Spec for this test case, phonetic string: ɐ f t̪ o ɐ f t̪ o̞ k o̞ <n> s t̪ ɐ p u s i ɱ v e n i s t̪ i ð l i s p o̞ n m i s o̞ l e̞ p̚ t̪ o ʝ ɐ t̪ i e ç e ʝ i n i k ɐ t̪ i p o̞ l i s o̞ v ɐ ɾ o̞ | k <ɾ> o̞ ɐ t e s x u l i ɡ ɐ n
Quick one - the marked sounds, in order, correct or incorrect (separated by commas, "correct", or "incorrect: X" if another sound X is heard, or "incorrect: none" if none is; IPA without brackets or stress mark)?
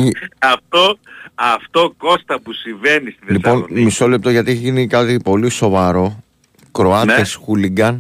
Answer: incorrect: none, correct